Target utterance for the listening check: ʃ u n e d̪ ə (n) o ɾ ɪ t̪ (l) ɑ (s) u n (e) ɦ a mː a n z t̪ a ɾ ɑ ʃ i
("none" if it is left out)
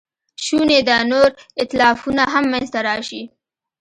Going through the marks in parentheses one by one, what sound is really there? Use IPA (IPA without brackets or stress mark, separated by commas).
n, l, f, a